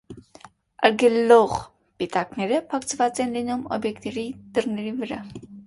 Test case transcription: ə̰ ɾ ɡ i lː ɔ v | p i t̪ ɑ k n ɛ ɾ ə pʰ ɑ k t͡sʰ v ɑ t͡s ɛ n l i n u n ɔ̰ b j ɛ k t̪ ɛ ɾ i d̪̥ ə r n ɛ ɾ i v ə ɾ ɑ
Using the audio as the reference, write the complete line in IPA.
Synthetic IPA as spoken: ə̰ ɾ ɡ ɛ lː ɔ ʁ | p i t̪ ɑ k n ɛ ɾ ə pʰ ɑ k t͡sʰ v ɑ t͡s ɛ n l i n u m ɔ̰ b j ɛ k t̪ ɛ ɾ i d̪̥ ə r n ɛ ɾ i v ə ɾ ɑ